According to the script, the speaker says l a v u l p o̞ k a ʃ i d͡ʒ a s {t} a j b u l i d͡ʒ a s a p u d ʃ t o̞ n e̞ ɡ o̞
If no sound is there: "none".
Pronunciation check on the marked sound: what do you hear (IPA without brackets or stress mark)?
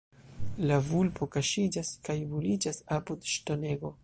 k